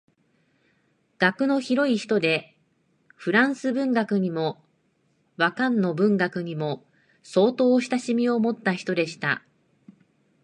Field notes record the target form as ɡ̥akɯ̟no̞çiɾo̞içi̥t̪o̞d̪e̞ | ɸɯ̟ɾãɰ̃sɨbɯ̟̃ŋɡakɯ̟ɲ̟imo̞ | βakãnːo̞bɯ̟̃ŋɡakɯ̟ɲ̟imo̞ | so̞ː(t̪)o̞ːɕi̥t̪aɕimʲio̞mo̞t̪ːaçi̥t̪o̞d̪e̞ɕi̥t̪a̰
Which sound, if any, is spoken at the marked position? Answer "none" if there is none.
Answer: t̪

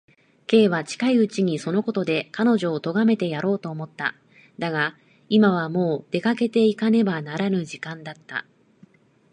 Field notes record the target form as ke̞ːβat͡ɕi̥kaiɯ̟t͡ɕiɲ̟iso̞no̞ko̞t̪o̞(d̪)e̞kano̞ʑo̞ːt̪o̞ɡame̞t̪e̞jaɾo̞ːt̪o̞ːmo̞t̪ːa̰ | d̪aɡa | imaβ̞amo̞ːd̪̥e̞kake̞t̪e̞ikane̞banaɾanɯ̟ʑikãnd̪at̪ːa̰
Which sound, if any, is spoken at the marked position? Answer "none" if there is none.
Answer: d̪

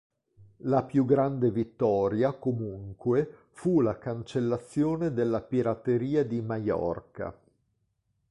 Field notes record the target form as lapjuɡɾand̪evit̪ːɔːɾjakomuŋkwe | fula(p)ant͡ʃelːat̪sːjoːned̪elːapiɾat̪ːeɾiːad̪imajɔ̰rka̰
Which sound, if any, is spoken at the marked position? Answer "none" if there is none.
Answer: k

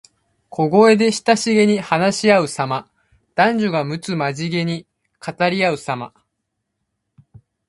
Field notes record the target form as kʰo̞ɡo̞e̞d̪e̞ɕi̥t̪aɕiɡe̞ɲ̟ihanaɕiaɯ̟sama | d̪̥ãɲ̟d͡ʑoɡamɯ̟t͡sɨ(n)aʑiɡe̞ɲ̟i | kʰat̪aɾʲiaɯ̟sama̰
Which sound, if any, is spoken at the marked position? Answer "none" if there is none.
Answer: m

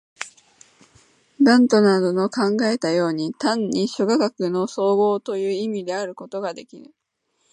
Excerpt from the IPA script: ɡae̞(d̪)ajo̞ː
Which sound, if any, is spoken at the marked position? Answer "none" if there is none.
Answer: t̪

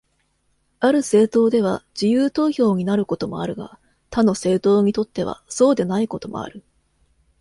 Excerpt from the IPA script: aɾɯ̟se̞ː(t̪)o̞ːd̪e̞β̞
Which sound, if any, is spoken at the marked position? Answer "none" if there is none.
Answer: t̪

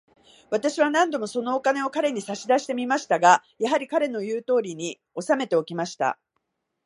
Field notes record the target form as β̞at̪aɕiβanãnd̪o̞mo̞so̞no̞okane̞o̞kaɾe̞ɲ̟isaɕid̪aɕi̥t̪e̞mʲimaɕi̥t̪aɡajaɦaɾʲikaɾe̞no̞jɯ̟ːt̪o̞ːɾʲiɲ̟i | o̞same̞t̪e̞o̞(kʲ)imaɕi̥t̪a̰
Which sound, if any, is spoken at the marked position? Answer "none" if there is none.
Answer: kʲ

